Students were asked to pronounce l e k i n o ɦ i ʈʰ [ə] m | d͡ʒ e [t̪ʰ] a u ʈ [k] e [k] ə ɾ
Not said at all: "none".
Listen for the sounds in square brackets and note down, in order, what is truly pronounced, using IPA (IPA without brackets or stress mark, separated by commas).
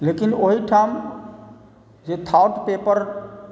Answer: a, t̪ʰ, p, p